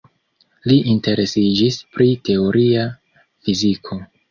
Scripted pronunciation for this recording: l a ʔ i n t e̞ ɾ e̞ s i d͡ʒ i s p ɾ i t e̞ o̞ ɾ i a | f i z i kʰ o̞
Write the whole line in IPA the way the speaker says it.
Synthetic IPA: l i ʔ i n t e̞ ɾ e̞ s i d͡ʒ i s p ɾ i t e̞ o̞ ɾ i a | f i z i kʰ o̞